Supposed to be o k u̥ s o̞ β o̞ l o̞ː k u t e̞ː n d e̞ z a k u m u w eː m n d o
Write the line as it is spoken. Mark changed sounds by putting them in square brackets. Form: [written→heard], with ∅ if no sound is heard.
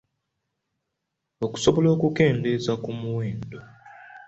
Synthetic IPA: o k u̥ s o̞ β o̞ l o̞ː k u [t→k] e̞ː n d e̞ z a k u m u w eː [m→∅] n d o